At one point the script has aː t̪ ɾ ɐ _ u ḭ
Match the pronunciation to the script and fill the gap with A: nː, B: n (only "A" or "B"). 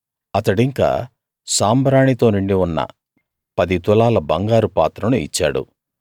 B